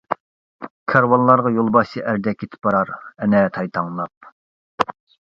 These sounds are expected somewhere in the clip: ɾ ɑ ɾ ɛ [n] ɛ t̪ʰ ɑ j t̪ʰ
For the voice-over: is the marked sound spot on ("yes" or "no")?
yes